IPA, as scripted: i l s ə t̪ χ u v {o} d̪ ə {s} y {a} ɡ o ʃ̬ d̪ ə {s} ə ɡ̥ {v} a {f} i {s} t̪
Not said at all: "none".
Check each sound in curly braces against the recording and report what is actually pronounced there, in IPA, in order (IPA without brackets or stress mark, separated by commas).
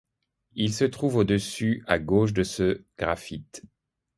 o, s, a, s, ʁ, f, none